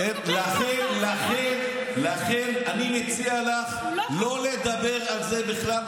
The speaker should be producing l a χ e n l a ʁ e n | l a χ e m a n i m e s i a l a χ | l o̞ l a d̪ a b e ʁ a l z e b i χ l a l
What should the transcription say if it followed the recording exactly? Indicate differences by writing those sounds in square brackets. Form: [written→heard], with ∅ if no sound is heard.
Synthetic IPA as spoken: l a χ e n l a [ʁ→χ] e n | l a χ e [m→n] a n i m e [s→t͡s] i a l a χ | l o̞ l [a→e] d̪ a b e ʁ a l z e b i χ l a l

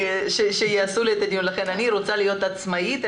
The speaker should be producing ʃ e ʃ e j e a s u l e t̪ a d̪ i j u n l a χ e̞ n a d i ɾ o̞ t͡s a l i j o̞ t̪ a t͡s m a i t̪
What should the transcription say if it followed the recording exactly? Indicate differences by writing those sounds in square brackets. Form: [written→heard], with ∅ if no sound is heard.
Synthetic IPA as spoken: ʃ e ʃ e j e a s u l e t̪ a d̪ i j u n l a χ e̞ n a [d→n] i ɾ o̞ t͡s a l i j o̞ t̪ a t͡s m a i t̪

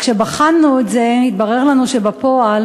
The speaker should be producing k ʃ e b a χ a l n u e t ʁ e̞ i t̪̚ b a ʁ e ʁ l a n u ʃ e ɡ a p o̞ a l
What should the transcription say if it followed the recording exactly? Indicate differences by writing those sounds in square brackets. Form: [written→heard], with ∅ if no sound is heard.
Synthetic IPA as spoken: k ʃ e b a χ a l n u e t [ʁ→z] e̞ i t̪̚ b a ʁ e ʁ l a n u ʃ e [ɡ→b] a p o̞ a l

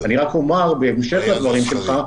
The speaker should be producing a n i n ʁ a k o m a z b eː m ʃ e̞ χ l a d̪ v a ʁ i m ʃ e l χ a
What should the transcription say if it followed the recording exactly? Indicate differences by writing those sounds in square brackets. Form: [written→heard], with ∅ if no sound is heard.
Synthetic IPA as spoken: a n i [n→∅] ʁ a k o m a [z→ʁ] b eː m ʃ e̞ χ l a d̪ v a ʁ i m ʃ e l χ a

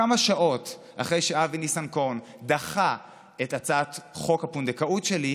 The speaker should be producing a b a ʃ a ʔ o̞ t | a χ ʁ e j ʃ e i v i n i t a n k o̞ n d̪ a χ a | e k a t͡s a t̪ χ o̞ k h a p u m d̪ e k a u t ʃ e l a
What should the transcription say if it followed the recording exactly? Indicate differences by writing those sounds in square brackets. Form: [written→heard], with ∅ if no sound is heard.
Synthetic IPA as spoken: a [b→m] a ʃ a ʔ o̞ t | a χ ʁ e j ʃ e [i→a] v i n i [t→s] a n k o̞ n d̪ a χ a | e [k→t] a t͡s a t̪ χ o̞ k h a p u [m→n] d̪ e k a u t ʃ e l [a→i]

